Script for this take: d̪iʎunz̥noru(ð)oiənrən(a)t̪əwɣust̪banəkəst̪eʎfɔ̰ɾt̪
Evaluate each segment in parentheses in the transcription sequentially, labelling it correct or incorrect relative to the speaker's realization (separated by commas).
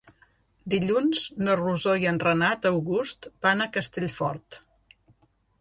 incorrect, correct